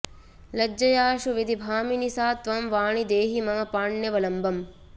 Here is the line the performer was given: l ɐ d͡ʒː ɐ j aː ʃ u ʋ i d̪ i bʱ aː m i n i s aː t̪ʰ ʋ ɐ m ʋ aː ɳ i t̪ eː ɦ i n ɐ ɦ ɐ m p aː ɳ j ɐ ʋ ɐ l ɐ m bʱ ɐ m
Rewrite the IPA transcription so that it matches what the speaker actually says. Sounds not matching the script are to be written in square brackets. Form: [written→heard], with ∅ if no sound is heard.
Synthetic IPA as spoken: l ɐ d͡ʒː ɐ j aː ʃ u ʋ i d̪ i bʱ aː m i n i s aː [t̪ʰ→t̪] ʋ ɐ m ʋ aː ɳ i [t̪→d̪] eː ɦ i [n→m] ɐ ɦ ɐ [m→∅] p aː ɳ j ɐ ʋ ɐ l ɐ m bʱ ɐ m